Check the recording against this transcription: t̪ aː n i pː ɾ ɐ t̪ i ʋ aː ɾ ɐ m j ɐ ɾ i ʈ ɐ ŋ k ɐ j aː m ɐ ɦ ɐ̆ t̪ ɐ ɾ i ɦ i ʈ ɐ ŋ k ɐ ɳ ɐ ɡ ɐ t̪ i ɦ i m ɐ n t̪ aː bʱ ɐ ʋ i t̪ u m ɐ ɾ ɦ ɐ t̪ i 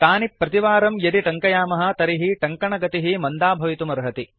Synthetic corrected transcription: t̪ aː n i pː ɾ ɐ t̪ i ʋ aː ɾ ɐ m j ɐ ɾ i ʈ ɐ ŋ k ɐ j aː m ɐ ɦ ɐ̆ t̪ ɐ ɾ i ɦ i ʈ ɐ ŋ k ɐ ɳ ɐ ɡ ɐ t̪ i ɦ i m ɐ n d̪ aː bʱ ɐ ʋ i t̪ u m ɐ ɾ ɦ ɐ t̪ i